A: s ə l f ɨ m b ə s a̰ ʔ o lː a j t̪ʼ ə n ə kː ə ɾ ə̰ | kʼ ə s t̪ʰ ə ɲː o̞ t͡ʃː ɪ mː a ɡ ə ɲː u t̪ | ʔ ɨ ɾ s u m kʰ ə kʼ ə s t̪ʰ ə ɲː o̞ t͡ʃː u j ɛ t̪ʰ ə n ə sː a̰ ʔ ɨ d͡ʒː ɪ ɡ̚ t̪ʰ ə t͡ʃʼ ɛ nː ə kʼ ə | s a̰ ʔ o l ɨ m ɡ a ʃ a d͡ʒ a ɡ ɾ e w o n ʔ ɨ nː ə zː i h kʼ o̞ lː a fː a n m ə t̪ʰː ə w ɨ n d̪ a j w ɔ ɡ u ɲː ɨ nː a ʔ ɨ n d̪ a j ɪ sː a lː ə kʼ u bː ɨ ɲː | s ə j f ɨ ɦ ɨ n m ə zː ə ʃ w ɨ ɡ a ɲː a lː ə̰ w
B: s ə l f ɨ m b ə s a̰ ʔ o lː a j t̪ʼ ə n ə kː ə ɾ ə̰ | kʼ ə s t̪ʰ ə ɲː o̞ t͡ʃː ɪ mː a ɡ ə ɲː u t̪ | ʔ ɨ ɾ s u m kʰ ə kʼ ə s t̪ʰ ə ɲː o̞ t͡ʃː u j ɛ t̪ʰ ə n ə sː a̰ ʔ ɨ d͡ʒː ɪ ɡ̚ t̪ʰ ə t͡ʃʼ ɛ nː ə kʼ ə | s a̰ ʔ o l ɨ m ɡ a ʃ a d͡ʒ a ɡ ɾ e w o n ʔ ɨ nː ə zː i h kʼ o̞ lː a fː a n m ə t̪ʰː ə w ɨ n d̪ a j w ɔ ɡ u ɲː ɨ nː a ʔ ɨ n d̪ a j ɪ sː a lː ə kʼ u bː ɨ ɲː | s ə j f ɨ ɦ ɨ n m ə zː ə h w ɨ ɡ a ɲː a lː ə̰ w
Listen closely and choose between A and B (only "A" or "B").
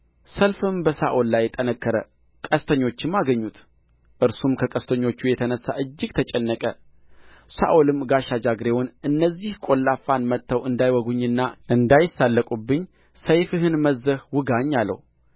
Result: B